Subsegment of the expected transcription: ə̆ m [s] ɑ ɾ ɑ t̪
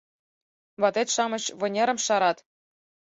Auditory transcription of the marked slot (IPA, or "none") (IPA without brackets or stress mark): ʃ